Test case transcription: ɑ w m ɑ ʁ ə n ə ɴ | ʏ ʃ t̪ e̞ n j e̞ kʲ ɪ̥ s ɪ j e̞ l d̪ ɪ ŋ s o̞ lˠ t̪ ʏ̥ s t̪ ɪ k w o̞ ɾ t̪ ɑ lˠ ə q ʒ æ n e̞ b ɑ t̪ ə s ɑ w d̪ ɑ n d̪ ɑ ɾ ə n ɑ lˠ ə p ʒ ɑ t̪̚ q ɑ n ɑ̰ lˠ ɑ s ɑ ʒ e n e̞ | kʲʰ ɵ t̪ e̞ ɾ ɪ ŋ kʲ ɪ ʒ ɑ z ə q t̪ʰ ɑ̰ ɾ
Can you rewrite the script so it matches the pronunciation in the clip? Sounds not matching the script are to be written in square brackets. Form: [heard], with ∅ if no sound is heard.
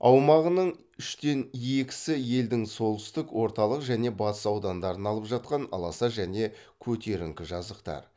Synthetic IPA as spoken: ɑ w m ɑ ʁ ə n ə ɴ | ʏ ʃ t̪ e̞ n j e̞ kʲ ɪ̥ s ɪ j e̞ l d̪ ɪ ŋ s o̞ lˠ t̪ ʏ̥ s t̪ ɪ k w o̞ ɾ t̪ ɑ lˠ ə q ʒ æ n e̞ b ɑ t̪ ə s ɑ w d̪ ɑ n d̪ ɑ ɾ ə n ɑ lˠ ə p ʒ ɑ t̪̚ q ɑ n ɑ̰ lˠ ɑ s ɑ ʒ [æ] n e̞ | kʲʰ ɵ t̪ e̞ ɾ ɪ ŋ kʲ ɪ ʒ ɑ z ə q [t̪] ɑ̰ ɾ